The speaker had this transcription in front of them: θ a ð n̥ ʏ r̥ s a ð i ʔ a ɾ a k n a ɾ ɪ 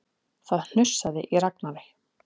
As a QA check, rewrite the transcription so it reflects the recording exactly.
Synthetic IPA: θ a ð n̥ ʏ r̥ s a ð ɪ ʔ i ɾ a k n a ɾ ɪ